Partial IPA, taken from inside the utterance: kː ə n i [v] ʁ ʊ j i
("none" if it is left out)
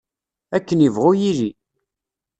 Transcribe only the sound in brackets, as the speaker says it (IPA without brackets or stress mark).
v